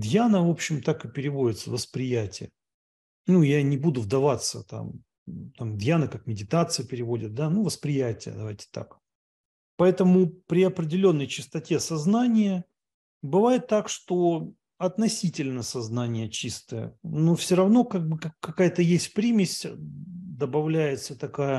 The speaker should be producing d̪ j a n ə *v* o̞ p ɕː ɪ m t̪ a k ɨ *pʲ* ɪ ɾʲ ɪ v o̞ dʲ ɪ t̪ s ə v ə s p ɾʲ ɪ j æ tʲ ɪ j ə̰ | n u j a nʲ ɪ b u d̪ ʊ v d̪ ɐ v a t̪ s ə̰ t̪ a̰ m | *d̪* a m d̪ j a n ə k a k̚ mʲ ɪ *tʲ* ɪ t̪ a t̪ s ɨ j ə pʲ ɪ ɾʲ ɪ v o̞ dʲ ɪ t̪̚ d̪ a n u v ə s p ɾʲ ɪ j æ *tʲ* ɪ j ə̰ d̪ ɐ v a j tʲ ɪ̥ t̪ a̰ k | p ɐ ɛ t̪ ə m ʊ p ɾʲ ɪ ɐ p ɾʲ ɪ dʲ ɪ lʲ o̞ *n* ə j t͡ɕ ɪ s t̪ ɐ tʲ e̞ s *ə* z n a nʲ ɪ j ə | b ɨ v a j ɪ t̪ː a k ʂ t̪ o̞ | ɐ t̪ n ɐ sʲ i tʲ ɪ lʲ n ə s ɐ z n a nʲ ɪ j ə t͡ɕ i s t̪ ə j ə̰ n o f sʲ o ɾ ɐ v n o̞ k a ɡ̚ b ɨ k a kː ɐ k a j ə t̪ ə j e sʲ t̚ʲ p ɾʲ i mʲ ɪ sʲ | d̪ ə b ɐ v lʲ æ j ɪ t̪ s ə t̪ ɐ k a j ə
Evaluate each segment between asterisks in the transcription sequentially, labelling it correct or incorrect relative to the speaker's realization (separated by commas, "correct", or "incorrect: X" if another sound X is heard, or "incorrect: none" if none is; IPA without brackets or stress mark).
correct, correct, incorrect: t̪, incorrect: dʲ, correct, incorrect: nː, incorrect: ɐ